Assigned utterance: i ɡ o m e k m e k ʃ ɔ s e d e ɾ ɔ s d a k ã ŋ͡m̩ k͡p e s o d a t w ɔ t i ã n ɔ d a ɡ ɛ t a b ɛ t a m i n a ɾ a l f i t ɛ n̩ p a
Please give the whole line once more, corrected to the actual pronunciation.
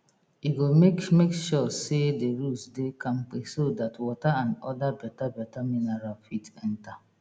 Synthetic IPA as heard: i ɡ o m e k m e k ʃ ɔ s e d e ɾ u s d e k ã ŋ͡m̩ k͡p e s o d a t w ɔ t a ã n ɔ d a b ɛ t a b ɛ t a m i n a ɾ a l f i t ɛ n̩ t a

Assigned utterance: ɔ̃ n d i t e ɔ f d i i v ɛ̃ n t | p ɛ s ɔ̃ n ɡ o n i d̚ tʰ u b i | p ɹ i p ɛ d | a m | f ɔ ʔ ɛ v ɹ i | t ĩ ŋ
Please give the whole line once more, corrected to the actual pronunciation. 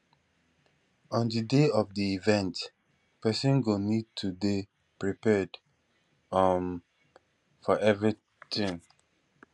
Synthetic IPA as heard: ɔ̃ n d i d e ɔ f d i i v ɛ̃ n t | p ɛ s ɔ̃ n ɡ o n i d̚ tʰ u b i | p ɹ i p ɛ d | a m | f ɔ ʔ ɛ v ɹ i | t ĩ ŋ

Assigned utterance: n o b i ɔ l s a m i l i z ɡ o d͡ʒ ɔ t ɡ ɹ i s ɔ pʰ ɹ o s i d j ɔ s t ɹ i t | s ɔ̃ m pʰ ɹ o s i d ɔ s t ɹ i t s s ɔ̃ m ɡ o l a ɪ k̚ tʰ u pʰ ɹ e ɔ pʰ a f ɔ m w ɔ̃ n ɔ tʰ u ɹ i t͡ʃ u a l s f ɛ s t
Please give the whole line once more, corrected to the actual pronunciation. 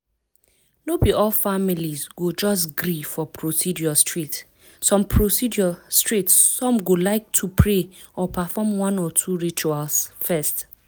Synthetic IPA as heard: n o b i ɔ l f a m i l i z ɡ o d͡ʒ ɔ s ɡ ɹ i f ɔ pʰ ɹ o s i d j ɔ s t ɹ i t | s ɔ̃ m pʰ ɹ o s i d ɔ s t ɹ i t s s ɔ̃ m ɡ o l a ɪ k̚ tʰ u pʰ ɹ e ɔ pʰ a f ɔ m w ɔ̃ n ɔ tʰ u ɹ i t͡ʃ u a l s f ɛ s t

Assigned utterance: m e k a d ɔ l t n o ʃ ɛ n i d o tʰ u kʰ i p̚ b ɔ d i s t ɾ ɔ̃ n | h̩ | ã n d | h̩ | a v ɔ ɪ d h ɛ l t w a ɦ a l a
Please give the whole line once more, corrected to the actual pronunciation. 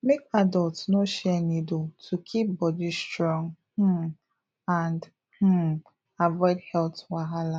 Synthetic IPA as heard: m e k a d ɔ l t n o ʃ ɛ n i d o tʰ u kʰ i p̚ b ɔ d i s t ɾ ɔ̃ ŋ | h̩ | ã n d | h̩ | a v ɔ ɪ d h ɛ l t w a ɦ a l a

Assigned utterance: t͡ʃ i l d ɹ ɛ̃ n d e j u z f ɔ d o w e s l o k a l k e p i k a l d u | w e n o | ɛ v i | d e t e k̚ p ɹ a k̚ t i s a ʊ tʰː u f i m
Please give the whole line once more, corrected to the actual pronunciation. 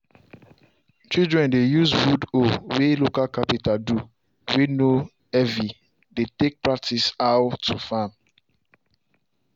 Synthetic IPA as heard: t͡ʃ i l d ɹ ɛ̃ n d e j u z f u d o w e l o k a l k a p i t a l d u | w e n o | ɛ v i | d e t e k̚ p ɹ a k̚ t i s a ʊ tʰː u f a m

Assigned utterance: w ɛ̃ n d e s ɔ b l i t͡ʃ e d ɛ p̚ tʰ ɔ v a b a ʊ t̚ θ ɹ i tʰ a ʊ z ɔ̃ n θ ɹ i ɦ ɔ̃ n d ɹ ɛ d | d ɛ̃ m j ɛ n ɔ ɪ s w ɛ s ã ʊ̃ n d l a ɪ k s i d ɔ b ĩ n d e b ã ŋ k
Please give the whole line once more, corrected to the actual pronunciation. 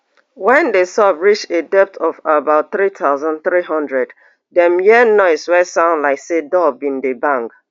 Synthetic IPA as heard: w ɛ̃ n d e s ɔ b ɹ i t͡ʃ e d ɛ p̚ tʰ ɔ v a b a ʊ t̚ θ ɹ i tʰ a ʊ z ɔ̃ n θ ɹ i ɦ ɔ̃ n d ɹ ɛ d | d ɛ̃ m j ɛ n ɔ ɪ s w ɛ s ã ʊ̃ n d l a ɪ k s e d ɔ b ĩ n d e b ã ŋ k

